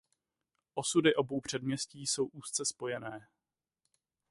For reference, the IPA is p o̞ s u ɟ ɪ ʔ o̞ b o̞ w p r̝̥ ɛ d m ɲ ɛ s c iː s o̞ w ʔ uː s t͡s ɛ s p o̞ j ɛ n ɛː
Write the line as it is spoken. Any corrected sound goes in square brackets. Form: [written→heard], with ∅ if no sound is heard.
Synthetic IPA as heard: [p→ʔ] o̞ s u [ɟ→d] ɪ ʔ o̞ b o̞ w p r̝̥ ɛ d m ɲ ɛ s c iː s o̞ w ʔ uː s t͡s ɛ s p o̞ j ɛ n ɛː